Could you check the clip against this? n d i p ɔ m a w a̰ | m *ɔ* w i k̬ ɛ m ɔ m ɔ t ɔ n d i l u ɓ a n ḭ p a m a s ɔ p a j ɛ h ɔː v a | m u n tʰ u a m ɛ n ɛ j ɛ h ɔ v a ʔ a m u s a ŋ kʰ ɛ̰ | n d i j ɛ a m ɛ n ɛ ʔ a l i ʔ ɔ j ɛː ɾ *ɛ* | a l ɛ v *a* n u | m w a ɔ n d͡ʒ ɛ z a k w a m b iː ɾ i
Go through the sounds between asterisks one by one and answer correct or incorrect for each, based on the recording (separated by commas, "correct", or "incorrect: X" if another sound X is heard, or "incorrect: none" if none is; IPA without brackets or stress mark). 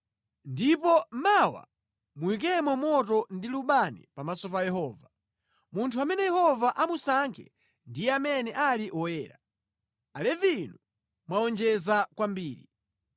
incorrect: u, incorrect: a, incorrect: i